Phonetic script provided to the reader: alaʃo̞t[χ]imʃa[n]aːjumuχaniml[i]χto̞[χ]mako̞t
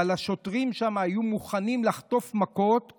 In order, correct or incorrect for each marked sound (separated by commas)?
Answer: incorrect, incorrect, incorrect, incorrect